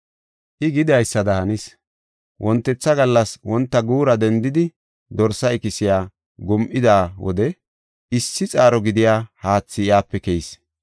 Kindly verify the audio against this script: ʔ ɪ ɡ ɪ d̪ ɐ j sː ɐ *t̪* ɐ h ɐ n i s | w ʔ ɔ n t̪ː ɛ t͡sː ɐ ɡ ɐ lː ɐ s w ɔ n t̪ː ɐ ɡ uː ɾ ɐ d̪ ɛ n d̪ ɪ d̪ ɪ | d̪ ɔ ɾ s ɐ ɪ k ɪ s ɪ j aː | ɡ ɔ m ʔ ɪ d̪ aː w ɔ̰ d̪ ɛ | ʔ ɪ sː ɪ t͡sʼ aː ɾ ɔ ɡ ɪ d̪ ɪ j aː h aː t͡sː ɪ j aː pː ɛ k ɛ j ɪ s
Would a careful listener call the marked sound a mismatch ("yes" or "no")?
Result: yes